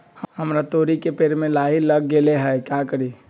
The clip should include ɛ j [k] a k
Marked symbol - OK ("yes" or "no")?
yes